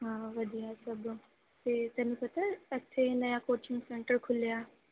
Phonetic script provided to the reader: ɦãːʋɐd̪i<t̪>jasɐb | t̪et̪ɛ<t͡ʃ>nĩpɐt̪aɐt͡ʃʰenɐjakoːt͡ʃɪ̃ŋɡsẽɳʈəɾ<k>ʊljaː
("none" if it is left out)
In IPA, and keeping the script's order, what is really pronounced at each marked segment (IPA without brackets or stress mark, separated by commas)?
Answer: none, none, kʰ